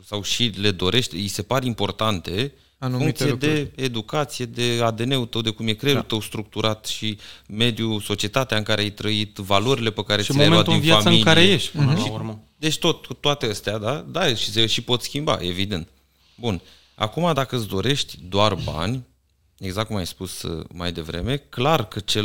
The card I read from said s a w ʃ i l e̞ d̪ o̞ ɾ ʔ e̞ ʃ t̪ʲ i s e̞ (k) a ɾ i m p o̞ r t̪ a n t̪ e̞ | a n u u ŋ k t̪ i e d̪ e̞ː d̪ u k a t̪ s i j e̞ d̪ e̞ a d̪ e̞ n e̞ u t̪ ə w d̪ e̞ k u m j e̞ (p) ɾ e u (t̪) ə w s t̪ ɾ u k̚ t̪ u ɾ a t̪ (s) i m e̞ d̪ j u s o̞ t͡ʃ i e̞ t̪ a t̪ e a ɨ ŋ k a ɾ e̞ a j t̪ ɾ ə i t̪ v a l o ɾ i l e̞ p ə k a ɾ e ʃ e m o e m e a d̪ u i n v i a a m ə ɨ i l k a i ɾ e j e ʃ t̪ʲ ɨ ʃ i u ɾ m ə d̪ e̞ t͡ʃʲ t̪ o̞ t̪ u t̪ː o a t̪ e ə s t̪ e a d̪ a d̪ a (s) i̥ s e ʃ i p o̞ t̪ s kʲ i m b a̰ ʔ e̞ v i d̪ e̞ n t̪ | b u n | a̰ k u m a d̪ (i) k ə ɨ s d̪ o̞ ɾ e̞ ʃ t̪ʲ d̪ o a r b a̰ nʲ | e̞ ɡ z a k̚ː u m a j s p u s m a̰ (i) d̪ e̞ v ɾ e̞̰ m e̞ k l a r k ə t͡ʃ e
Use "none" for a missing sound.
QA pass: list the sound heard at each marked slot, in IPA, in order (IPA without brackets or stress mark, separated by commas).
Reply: p, k, t̪, ʃ, ʃ, a, j